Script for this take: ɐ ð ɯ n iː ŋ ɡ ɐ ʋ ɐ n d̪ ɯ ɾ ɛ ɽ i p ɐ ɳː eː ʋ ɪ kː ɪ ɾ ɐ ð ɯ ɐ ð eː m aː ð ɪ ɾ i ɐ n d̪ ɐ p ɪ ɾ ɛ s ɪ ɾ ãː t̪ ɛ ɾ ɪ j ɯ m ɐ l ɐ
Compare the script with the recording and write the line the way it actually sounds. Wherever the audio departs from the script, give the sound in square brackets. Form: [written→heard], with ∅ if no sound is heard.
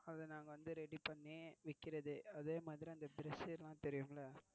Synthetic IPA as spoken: ɐ ð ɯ n [iː→aː] ŋ ɡ ɐ ʋ ɐ n d̪ ɯ ɾ ɛ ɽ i p ɐ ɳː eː ʋ ɪ kː ɪ ɾ ɐ ð ɯ ɐ ð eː m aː ð ɪ ɾ i ɐ n d̪ ɐ [p→b] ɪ ɾ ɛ s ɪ [ɾ→l] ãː t̪ ɛ ɾ ɪ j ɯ m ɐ l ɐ